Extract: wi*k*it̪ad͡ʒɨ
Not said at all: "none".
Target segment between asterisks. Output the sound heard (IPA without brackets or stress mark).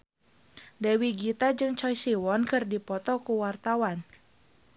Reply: ɡ